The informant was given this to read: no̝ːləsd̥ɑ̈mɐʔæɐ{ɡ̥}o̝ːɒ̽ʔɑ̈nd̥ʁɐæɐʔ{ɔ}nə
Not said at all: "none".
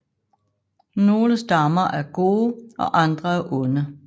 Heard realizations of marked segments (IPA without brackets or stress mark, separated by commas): ɡ̥, ɔ